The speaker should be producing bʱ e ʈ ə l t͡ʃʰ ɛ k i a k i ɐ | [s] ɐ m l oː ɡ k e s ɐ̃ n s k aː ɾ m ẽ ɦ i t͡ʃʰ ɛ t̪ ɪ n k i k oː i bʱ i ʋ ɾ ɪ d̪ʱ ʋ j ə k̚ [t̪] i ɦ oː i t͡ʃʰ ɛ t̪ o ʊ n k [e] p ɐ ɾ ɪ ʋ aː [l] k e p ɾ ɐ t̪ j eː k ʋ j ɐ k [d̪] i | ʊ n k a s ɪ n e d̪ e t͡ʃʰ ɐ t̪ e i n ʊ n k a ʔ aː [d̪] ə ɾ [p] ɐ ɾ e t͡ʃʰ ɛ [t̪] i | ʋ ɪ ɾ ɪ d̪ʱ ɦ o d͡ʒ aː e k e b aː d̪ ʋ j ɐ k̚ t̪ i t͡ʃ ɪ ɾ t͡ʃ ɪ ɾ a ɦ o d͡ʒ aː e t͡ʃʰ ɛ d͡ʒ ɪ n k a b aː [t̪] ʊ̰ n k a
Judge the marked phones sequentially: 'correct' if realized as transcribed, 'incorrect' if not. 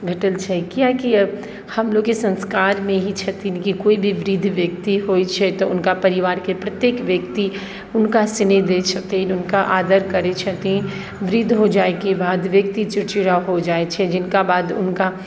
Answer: incorrect: h, correct, incorrect: a, incorrect: ɾ, incorrect: t̪, correct, incorrect: k, correct, incorrect: d̪

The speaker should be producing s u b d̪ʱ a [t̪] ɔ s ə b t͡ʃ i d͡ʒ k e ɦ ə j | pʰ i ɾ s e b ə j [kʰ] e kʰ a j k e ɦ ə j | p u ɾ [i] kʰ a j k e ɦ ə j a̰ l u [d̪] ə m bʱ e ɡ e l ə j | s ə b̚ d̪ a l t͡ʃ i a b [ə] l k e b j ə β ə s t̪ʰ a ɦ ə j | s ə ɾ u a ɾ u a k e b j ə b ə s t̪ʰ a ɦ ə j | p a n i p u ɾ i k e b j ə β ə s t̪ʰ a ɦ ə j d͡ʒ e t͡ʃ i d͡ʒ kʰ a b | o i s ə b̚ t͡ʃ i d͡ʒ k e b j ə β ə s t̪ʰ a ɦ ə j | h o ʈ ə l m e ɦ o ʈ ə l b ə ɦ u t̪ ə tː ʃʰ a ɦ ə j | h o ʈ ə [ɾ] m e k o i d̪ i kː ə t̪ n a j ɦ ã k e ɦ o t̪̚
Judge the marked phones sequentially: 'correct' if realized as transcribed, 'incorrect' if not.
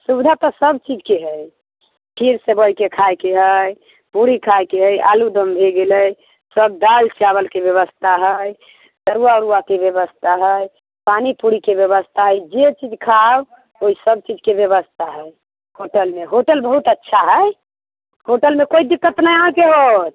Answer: correct, incorrect: k, correct, correct, correct, incorrect: l

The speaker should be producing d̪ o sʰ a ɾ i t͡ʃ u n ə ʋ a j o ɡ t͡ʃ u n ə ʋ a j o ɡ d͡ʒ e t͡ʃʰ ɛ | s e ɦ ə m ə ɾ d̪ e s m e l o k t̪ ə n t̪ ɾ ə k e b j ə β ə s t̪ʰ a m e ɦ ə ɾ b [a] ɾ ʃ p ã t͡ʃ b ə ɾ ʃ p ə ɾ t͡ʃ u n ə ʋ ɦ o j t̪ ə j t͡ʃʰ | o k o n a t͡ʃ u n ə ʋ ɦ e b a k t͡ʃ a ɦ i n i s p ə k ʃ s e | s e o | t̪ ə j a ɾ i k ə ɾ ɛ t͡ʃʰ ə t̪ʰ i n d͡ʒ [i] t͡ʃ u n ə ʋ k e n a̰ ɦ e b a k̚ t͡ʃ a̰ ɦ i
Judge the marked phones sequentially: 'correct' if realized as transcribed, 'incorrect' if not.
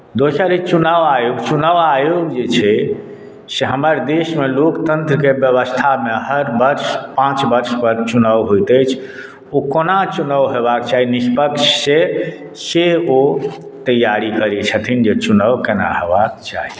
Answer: incorrect: ə, incorrect: e

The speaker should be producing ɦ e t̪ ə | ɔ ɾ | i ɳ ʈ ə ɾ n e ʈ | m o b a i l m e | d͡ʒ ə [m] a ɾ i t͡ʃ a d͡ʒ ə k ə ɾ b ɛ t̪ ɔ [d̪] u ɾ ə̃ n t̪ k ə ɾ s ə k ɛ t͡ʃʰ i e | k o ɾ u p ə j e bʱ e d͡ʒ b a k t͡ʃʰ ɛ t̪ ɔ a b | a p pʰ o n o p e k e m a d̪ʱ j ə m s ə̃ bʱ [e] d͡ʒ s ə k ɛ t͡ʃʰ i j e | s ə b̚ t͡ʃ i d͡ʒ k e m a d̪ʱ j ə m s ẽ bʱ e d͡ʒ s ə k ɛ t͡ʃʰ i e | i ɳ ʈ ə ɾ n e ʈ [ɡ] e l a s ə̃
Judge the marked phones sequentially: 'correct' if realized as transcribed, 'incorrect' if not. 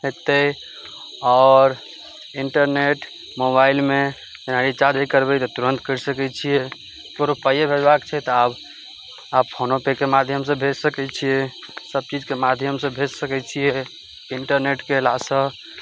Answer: incorrect: n, incorrect: t̪, correct, incorrect: k

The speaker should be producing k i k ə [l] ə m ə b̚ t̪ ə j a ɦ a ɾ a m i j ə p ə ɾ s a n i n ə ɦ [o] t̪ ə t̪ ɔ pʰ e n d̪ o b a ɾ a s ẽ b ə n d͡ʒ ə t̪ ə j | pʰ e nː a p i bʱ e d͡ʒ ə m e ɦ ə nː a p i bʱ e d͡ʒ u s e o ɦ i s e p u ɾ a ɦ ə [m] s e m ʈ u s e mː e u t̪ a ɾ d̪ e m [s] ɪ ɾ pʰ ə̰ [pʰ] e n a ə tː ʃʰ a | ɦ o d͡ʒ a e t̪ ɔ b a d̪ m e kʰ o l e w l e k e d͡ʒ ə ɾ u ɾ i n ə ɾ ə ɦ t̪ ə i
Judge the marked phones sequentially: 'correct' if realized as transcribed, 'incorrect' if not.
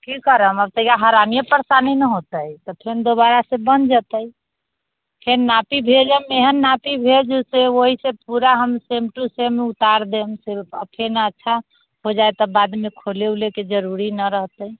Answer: incorrect: ɾ, correct, correct, correct, correct

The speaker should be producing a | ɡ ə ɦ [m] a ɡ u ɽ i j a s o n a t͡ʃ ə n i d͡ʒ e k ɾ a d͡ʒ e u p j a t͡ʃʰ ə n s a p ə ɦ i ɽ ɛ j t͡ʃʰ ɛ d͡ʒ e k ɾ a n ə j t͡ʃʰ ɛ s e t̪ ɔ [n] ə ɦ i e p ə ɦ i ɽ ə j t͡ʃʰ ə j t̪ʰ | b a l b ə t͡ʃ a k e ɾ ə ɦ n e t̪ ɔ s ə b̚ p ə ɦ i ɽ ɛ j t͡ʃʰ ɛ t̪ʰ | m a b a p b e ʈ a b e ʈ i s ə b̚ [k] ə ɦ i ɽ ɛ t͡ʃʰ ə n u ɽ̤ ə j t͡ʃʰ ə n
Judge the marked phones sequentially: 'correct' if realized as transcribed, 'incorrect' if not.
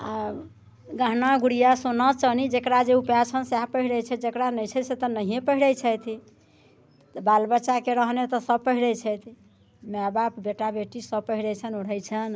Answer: incorrect: n, correct, incorrect: p

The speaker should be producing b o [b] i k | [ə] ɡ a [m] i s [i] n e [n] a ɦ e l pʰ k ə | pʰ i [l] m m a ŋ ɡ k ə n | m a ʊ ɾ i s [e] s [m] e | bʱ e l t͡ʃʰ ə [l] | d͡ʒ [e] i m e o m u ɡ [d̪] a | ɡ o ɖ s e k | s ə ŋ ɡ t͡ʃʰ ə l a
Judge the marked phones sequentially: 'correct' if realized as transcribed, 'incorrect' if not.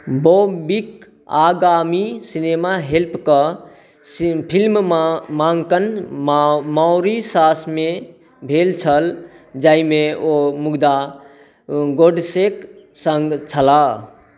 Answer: correct, incorrect: a, correct, correct, incorrect: m, correct, incorrect: a, correct, correct, incorrect: a, correct

